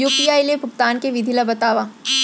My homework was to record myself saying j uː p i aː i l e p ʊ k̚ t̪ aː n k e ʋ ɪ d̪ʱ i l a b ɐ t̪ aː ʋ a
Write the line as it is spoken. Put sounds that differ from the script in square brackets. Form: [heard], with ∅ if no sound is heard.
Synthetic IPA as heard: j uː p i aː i l e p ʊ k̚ t̪ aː n k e ʋ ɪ d̪ʱ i l a b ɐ t̪ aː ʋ a